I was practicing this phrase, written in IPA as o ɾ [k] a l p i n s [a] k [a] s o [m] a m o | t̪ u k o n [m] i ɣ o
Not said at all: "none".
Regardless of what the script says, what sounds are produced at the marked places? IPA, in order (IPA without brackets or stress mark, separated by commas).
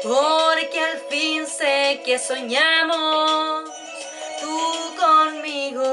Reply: k, e, e, ɲ, m